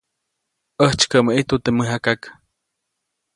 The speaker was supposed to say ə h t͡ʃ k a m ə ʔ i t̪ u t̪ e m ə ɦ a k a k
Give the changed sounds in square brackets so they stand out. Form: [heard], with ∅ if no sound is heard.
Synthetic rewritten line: ə h t͡ʃ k [ə] m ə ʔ i t̪ u t̪ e m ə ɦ a k a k

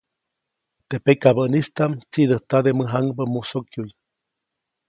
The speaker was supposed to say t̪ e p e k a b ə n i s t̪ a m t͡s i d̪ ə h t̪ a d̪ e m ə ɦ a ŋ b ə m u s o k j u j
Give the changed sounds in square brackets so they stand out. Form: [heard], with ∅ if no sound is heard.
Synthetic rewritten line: t̪ e p e k a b ə n i s t̪ a m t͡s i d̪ ə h t̪ a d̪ e m ə ɦ a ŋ b ə m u s o k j u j

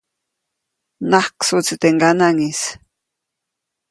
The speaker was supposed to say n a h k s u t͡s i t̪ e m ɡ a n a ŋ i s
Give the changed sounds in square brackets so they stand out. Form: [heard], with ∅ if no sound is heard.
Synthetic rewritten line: n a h k s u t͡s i t̪ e [ŋ] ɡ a n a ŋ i s

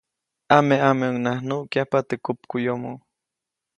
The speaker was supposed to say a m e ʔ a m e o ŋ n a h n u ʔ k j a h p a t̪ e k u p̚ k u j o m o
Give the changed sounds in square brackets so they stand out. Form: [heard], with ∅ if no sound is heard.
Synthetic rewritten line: a m e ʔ a m e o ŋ n a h n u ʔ k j a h p a t̪ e k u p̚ k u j o m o

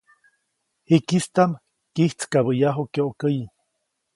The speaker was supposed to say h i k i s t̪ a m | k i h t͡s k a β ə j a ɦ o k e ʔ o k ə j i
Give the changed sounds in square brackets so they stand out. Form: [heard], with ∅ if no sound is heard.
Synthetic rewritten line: h i k i s t̪ a m | k i h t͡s k a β ə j a ɦ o k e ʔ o k ə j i

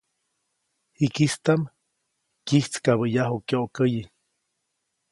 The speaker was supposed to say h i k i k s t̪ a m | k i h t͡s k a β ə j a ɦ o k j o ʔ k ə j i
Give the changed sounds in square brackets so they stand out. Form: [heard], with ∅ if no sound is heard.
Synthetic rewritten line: h i k i [∅] s t̪ a m | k i h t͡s k a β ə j a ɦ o k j o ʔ k ə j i

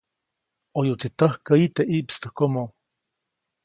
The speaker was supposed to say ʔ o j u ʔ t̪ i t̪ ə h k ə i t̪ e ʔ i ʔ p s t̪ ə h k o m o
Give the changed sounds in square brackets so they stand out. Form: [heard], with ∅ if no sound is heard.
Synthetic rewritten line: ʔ o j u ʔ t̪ i t̪ ə h k ə i t̪ e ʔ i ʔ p s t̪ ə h k o m o

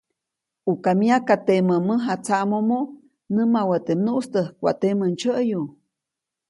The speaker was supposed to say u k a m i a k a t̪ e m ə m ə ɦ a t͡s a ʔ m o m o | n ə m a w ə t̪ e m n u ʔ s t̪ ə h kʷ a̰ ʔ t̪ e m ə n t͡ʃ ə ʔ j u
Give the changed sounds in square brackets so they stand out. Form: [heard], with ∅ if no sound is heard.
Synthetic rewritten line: u k a m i a k a t̪ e m ə m ə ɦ a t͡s a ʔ m o m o | n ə m a w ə t̪ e m n u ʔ s t̪ ə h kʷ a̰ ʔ t̪ e m ə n t͡ʃ ə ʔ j u

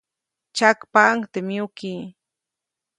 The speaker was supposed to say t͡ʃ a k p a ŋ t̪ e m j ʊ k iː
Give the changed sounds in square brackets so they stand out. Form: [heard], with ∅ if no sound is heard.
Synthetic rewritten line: t͡ʃ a k p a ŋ t̪ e m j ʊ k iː

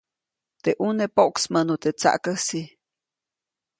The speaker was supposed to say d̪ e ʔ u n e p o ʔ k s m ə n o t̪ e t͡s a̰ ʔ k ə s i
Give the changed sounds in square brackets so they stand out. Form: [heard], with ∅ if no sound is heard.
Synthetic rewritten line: [t̪] e ʔ u n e p o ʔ k s m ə n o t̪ e t͡s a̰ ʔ k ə s i

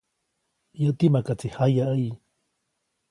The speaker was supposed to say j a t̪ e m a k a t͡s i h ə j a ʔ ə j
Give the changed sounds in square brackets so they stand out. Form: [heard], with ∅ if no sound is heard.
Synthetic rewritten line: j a t̪ [i] m a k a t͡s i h [a] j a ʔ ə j

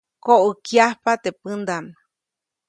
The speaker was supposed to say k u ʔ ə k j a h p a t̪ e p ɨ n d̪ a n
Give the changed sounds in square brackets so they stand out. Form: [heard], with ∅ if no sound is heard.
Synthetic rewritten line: k [o] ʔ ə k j a h p a t̪ e p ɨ n d̪ a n

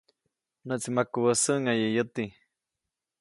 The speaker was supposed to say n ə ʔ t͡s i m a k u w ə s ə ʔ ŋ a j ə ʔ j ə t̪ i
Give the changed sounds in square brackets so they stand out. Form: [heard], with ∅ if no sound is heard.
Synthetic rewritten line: n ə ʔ t͡s i m a k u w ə s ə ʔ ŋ a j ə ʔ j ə t̪ i

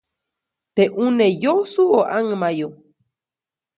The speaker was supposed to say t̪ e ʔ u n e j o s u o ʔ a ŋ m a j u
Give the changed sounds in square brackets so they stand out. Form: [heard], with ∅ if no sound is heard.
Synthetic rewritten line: t̪ e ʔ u n e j o s u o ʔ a ŋ m a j [o]

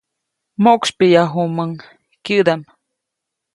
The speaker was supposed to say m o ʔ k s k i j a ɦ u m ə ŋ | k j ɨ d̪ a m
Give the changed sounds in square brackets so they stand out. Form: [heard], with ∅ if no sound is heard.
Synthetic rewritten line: m o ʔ k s [p] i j a ɦ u m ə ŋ | k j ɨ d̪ a m

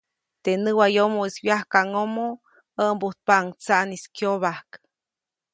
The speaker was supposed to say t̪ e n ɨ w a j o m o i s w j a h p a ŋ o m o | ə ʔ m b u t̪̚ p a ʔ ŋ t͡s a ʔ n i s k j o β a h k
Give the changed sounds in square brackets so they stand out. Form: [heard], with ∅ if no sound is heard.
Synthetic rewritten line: t̪ e n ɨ w a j o m o i s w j a h [k] a ŋ o m o | ə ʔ m b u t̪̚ p a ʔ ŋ t͡s a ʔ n i s k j o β a h k

